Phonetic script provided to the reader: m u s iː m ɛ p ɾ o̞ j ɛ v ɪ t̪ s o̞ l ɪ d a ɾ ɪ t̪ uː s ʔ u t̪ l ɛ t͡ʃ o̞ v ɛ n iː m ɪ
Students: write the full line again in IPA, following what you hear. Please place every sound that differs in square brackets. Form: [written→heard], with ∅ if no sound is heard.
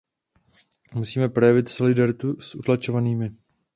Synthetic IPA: m u s iː m ɛ p ɾ o̞ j ɛ v ɪ t̪ s o̞ l ɪ d a ɾ ɪ t̪ [uː→u] s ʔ u t̪ l [ɛ→a] t͡ʃ o̞ v [ɛ→a] n iː m ɪ